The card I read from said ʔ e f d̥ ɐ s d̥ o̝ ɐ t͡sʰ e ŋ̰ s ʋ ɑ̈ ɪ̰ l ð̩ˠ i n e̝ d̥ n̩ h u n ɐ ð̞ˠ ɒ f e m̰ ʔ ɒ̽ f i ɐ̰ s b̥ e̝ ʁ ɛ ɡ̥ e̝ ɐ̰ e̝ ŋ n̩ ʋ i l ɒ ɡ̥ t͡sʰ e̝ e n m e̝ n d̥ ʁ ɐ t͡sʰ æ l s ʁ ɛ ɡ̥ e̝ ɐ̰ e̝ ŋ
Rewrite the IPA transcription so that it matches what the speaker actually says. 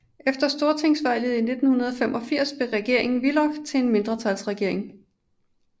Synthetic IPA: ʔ e f d̥ ɐ s d̥ o̝ ɐ t͡sʰ e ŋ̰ s ʋ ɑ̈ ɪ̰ l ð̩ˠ i n e̝ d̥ n̩ h u n ɐ ð̞ˠ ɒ f e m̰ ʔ ɒ̽ f i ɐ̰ s b̥ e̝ ʁ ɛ ɡ̥ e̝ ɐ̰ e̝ ŋ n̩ ʋ i l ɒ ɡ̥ t͡sʰ e̝ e n m e̝ n d̥ ʁ ɐ t͡sʰ æ l s ʁ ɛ ɡ̥ e̝ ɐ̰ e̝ ŋ